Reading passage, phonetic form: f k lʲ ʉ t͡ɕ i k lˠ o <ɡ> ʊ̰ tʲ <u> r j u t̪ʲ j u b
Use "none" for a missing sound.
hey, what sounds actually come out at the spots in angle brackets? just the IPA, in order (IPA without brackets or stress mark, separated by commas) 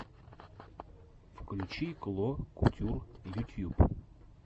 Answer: k, u